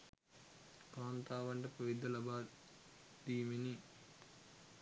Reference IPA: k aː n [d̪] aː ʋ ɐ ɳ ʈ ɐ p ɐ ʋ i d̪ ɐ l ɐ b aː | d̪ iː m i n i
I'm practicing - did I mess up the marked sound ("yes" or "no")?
yes